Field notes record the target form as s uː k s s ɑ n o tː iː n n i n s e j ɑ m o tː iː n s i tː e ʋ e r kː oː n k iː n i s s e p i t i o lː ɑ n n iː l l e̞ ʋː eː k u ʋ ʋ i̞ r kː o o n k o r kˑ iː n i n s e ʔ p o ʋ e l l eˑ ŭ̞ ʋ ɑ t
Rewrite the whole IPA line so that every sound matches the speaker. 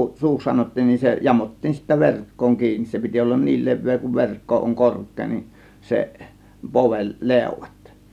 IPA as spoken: s uː k s s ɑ n o tː iː n n i n s e j ɑ m o tː iː n s i tː æ ʋ e r kː oː ŋ k iː n i s s e p i t i o lː ɑ n n iː l l e̞ ʋː eː k u ʋ ʋ e̞ r kː o o ŋ k o r kˑ eː n i n s e ʔ p o ʋ e l l eˑ ŭ̞ ʋ ɑ t